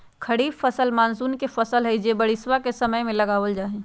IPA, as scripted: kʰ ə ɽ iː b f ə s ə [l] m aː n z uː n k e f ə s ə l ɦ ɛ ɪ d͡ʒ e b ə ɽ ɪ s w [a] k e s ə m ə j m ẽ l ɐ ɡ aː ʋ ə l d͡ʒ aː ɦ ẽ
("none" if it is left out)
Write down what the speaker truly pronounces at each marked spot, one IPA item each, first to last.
l, a

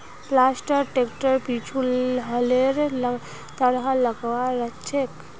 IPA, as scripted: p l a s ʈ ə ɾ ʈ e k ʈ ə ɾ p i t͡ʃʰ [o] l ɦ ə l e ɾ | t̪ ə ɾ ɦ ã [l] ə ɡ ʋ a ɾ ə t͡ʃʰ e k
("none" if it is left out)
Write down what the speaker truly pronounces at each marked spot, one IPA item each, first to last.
u, l

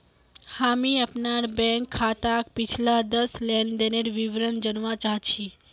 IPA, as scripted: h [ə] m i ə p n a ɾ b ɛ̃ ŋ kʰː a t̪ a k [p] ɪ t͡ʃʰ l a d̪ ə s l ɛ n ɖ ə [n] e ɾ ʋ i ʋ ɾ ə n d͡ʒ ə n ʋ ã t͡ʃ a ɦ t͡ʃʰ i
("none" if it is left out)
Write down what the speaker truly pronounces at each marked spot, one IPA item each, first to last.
a, p, n

